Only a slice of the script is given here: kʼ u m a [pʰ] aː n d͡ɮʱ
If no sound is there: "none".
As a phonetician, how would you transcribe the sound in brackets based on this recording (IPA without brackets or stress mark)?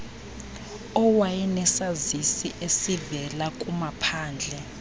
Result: pʰ